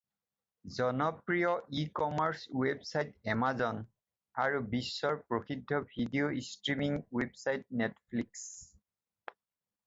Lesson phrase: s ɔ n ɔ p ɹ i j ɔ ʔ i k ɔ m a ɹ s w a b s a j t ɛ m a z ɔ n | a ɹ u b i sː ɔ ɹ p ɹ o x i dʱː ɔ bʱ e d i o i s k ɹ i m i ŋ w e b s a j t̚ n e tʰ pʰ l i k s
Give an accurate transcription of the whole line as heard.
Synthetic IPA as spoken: z ɔ n ɔ p ɹ i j ɔ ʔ i k ɔ m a ɹ s w e b s a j t ɛ m a z ɔ n | a ɹ u b i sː ɔ ɹ p ɹ o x i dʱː ɔ bʱ i d i o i s t ɹ i m i ŋ w e b s a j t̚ n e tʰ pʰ l i k s